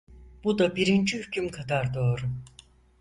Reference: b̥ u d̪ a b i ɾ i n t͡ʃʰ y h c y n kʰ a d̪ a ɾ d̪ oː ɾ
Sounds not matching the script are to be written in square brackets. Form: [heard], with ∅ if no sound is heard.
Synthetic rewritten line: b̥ u d̪ a b i ɾ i n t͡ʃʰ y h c y [m] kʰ a d̪ a ɾ d̪ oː ɾ